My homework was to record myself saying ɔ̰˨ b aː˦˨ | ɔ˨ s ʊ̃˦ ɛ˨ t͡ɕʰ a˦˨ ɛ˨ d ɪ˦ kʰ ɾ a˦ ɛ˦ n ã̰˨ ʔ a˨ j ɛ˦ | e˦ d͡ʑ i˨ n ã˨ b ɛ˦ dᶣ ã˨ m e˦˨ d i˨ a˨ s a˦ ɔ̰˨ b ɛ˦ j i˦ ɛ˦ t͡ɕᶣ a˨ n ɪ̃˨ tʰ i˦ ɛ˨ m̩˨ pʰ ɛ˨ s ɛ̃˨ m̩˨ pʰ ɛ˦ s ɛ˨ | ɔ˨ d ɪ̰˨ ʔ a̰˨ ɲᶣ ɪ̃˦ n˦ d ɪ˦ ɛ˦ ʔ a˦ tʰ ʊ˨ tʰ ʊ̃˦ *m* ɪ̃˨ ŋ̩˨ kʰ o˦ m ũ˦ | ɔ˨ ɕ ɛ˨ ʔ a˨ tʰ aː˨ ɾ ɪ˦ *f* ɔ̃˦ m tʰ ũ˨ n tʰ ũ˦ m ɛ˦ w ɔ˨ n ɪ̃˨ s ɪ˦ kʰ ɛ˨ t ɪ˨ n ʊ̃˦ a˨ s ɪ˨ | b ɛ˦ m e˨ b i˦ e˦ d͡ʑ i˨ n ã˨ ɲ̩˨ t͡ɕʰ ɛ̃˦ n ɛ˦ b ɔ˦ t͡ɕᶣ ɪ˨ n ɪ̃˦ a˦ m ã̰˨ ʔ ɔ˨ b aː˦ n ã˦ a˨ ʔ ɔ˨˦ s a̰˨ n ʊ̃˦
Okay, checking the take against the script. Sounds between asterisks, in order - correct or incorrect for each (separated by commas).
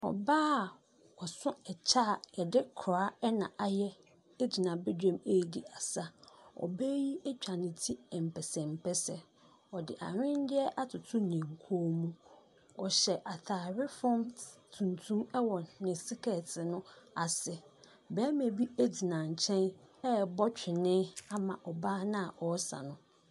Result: incorrect, correct